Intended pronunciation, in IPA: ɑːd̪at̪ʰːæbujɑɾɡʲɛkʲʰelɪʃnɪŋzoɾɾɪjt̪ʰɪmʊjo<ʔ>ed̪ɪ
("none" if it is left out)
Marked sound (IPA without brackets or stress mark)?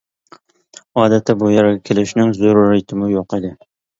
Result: q